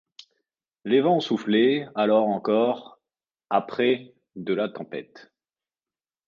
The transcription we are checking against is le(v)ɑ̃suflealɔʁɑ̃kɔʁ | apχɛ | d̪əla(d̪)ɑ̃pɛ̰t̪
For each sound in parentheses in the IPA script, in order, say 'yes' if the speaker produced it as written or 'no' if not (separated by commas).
yes, no